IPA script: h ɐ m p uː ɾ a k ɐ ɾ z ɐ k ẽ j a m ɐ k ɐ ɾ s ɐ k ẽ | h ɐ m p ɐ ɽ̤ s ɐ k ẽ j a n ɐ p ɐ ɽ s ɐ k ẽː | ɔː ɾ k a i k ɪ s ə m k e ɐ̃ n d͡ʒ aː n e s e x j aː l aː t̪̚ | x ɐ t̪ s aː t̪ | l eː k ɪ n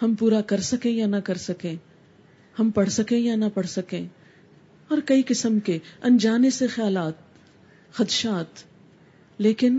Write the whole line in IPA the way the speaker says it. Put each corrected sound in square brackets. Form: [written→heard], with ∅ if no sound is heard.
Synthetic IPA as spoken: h ɐ m p uː ɾ a k ɐ ɾ [z→s] ɐ k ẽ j a [m→n] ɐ k ɐ ɾ s ɐ k ẽ | h ɐ m p ɐ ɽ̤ s ɐ k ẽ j a n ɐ p ɐ ɽ s ɐ k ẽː | ɔː ɾ k [a→ɐ] i k ɪ s ə m k e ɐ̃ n d͡ʒ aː n e s e x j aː l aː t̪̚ | x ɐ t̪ [s→ʃ] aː t̪ | l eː k ɪ n